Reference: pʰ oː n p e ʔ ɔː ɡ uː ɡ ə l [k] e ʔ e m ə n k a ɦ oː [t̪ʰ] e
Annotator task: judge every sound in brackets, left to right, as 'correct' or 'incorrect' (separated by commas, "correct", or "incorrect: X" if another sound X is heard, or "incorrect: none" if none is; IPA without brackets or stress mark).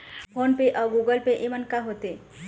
incorrect: p, incorrect: t̪